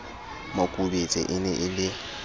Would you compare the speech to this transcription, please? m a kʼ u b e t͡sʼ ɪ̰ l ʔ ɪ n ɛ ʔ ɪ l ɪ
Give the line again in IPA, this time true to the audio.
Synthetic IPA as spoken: m a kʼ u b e t͡sʼ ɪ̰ ʔ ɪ n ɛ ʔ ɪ l ɪ